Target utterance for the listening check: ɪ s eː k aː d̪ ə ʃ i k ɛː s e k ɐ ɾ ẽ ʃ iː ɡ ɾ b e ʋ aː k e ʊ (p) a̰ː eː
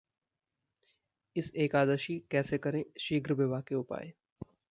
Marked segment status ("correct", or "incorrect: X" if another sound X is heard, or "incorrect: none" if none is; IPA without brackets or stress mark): correct